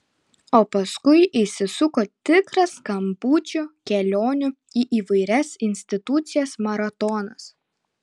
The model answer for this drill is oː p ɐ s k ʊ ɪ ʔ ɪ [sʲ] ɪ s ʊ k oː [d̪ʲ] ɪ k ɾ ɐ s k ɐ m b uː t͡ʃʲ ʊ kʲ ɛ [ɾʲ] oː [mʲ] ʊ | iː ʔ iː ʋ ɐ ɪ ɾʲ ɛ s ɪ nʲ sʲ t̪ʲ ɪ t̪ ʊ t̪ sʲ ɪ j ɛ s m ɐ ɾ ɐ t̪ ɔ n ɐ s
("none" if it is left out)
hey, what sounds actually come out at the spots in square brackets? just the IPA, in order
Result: sʲ, t̪ʲ, lʲ, nʲ

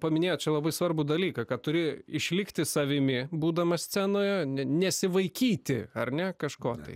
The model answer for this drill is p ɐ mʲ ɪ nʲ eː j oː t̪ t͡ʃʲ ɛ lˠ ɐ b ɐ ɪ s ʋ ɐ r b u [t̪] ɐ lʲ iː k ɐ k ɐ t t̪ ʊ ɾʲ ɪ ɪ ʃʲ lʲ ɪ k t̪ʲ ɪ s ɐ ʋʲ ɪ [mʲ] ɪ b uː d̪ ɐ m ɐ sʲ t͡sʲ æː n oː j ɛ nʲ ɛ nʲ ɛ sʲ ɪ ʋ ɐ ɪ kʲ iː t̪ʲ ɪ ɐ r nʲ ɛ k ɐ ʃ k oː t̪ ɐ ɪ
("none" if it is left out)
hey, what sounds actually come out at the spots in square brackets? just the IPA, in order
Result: d̪, mʲ

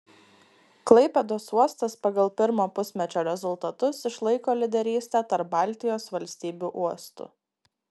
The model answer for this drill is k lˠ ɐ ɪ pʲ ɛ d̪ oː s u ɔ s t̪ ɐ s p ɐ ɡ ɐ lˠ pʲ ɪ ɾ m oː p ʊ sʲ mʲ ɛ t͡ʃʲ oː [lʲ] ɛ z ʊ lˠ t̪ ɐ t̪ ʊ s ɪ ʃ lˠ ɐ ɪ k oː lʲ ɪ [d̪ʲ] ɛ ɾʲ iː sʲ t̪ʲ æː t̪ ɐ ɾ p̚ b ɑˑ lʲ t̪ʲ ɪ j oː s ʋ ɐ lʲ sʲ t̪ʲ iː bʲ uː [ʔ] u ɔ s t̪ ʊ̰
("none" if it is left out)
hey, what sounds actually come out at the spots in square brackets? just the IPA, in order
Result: ɾʲ, d̪ʲ, ʔ

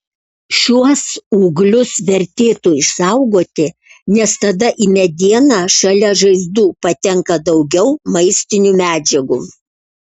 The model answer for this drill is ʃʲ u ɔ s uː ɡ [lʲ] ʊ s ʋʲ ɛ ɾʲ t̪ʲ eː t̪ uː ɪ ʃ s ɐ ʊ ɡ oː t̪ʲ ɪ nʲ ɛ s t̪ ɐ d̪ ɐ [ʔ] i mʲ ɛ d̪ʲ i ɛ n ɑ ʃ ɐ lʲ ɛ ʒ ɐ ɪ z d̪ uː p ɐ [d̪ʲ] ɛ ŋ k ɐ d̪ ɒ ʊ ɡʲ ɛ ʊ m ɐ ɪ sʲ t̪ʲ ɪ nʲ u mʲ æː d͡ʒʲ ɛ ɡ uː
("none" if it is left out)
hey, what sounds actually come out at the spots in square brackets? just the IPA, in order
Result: lʲ, ʔ, t̪ʲ

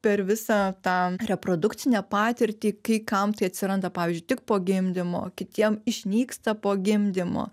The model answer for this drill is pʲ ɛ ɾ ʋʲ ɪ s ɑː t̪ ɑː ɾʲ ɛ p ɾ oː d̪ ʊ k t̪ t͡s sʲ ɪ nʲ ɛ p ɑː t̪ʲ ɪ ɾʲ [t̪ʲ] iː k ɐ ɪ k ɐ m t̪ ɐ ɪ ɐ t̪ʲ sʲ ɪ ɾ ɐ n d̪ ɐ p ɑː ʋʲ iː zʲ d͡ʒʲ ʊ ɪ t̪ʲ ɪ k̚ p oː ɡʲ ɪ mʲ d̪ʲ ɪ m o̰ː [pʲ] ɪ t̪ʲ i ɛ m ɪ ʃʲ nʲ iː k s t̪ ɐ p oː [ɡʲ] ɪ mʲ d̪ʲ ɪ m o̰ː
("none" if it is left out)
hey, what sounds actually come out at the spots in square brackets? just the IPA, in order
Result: t̪ʲ, kʲ, ɡʲ

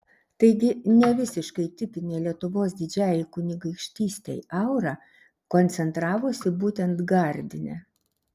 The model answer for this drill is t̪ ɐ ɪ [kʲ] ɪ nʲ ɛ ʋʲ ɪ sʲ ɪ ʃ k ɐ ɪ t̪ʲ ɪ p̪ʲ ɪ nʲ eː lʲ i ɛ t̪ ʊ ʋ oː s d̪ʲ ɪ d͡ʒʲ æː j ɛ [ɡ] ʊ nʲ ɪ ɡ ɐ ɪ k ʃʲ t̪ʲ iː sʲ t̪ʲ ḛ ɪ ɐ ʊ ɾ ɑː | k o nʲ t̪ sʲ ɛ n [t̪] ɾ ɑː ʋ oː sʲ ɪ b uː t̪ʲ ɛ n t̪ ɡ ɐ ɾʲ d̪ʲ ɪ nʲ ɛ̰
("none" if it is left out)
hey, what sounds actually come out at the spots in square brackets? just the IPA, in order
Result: ɡʲ, k, t̪

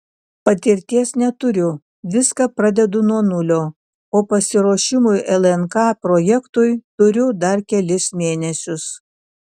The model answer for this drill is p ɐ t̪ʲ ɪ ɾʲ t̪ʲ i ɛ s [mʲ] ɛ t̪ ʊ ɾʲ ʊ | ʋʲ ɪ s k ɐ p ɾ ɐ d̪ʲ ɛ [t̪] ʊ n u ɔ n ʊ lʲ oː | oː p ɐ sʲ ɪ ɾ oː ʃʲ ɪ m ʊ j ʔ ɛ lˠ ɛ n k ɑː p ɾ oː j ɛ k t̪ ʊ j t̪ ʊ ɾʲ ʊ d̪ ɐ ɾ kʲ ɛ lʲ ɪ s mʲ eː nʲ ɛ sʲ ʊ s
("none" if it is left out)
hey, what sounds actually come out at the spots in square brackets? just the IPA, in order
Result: nʲ, d̪

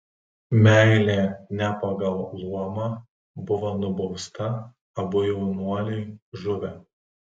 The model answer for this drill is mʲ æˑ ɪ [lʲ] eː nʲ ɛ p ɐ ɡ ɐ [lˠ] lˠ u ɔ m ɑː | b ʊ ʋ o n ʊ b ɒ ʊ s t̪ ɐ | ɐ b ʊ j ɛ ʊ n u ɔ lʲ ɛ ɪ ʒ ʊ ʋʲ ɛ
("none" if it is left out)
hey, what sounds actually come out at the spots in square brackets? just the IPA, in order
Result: lʲ, lˠ

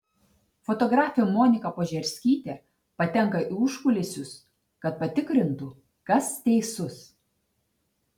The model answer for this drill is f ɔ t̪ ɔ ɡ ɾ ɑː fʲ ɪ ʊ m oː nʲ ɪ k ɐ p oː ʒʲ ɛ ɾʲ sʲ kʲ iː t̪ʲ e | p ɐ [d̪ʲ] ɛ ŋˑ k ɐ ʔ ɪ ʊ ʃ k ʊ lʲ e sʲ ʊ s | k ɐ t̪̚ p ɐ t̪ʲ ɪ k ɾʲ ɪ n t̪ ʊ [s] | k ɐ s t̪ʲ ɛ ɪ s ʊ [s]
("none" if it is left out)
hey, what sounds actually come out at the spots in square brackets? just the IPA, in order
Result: t̪ʲ, none, s

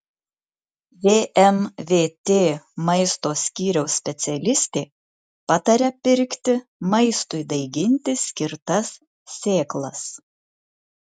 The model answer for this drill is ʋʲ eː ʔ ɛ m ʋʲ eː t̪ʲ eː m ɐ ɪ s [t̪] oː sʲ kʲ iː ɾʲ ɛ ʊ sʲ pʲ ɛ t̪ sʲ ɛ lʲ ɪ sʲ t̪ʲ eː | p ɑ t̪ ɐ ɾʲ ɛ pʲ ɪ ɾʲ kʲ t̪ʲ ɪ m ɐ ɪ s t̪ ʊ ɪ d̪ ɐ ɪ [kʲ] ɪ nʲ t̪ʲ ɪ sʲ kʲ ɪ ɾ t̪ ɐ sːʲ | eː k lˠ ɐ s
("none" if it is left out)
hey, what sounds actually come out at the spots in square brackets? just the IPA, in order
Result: t̪, ɡʲ

